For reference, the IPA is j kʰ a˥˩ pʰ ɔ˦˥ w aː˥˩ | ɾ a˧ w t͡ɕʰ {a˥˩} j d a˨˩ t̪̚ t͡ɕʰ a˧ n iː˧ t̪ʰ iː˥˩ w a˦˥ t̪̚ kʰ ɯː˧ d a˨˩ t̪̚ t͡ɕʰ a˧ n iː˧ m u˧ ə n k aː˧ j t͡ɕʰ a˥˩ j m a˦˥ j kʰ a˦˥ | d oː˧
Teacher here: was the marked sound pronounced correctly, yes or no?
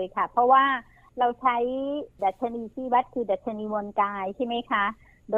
no